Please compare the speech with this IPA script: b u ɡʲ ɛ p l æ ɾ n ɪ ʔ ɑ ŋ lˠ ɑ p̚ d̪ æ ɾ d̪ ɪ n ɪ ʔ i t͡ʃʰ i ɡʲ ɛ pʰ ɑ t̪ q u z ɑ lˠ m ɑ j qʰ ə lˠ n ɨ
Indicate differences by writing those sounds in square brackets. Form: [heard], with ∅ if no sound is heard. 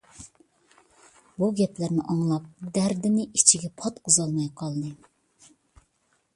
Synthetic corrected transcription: b u ɡʲ ɛ p l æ ɾ n ɪ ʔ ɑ ŋ lˠ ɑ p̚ d̪ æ ɾ d̪ ɪ n ɪ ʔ i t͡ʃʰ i ɡʲ ɛ pʰ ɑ t̪ q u z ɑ lˠ m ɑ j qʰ [ɑ] lˠ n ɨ

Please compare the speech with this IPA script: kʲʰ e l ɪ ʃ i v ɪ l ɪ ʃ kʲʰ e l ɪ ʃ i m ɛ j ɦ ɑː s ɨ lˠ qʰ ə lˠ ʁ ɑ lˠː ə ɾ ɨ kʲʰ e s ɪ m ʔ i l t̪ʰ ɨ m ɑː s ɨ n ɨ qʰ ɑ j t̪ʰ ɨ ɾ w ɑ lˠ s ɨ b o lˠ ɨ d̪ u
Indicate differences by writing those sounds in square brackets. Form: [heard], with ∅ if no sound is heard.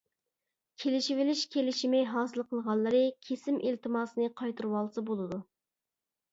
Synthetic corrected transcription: kʲʰ e l ɪ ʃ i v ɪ l ɪ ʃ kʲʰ e l ɪ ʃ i m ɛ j ɦ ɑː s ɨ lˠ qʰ ə lˠ ʁ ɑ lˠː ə ɾ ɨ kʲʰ e s ɪ m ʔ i l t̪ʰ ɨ m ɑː s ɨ n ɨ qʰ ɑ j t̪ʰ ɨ ɾ w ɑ lˠ s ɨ b o lˠ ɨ d̪ u

